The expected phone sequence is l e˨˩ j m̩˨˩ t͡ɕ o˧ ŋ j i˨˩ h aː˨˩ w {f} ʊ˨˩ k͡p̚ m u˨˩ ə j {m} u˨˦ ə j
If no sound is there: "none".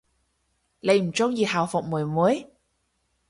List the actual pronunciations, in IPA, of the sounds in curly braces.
f, m

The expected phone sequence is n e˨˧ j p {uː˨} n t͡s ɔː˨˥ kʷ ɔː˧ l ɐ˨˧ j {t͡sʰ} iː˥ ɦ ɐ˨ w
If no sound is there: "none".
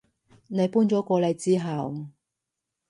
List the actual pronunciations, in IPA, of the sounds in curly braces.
uː˥, t͡s

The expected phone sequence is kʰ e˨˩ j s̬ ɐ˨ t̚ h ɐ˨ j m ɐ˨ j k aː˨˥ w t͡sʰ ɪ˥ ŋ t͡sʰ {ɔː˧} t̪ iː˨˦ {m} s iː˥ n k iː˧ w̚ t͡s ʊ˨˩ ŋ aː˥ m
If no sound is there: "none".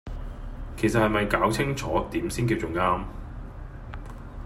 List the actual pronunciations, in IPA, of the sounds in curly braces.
ɔː˨˥, m

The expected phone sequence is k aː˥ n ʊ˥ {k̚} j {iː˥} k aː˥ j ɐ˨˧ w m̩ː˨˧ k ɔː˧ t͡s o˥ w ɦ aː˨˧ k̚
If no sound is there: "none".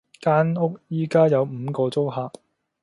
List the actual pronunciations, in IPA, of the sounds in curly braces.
k̚, iː˥

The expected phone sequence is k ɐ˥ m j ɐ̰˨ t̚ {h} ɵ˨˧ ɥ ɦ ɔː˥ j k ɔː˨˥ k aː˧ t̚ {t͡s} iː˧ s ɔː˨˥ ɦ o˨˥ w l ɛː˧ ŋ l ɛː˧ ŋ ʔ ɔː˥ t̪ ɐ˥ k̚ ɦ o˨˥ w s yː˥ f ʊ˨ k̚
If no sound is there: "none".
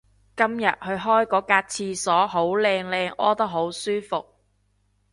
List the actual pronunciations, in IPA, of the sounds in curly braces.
h, t͡sʰ

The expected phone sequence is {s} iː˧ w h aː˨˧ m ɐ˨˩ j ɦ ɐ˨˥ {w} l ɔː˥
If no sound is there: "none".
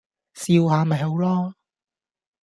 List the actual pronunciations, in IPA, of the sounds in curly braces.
s, w

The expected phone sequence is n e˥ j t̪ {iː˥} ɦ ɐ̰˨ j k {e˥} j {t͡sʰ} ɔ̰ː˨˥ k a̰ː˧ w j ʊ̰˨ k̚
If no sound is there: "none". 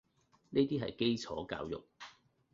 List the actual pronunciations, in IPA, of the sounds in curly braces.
iː˥, e˥, t͡sʰ

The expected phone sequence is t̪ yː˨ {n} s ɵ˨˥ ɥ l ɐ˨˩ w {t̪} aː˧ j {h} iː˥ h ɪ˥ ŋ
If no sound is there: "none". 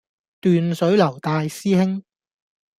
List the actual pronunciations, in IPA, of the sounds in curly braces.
n, t̪, s

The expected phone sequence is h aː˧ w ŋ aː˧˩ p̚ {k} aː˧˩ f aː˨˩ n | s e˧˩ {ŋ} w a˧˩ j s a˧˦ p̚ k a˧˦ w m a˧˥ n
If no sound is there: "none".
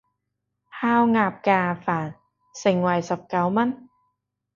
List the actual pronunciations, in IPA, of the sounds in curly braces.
k, ŋ

